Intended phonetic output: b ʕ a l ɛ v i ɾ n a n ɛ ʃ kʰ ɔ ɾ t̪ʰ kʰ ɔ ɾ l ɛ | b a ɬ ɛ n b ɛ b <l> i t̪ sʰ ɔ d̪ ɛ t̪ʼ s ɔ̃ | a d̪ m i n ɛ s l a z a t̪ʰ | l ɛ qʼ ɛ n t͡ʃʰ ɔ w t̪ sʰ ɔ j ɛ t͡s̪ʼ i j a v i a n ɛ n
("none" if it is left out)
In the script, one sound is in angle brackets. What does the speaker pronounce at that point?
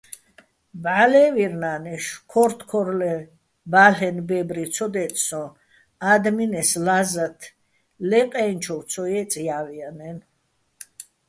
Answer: ɾ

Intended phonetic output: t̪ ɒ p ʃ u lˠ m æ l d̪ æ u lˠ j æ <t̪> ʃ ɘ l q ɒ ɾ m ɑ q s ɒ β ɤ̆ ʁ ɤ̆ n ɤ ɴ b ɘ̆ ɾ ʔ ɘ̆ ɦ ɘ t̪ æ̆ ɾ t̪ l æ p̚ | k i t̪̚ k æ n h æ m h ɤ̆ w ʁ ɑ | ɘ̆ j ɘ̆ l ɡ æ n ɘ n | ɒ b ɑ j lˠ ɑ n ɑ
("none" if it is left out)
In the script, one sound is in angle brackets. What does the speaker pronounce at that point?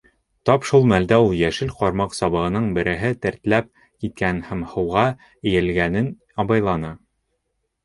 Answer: none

